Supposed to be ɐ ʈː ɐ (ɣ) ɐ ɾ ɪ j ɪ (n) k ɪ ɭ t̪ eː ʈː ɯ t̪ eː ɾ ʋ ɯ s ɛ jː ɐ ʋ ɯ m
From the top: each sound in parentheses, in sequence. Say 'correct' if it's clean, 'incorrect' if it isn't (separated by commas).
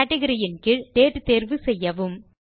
correct, correct